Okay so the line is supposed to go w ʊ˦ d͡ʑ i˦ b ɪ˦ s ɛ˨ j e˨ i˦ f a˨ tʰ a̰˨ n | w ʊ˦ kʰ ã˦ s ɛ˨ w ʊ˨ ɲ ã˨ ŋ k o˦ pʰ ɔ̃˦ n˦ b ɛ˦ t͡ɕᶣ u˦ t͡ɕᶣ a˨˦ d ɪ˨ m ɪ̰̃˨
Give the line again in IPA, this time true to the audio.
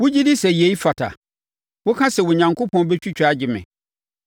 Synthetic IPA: w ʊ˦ d͡ʑ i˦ d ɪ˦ s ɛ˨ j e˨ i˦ f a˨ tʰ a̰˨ | w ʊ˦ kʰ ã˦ s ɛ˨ w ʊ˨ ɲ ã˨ ŋ k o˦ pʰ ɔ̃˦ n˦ b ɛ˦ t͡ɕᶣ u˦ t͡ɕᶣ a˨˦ d͡ʑ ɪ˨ m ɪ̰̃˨